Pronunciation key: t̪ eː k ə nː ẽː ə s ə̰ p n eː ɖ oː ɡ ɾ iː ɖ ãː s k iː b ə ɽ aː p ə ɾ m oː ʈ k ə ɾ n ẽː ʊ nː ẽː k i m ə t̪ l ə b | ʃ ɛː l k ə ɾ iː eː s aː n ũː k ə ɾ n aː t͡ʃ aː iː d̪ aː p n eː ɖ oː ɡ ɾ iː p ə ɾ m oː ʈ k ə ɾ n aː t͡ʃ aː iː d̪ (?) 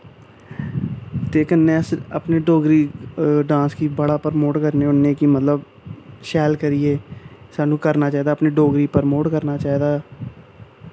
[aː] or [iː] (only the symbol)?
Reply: aː